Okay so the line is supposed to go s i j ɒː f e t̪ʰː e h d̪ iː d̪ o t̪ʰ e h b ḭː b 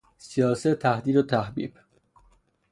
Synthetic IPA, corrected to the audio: s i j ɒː s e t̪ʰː æ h d̪ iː d̪ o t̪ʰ æ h b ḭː b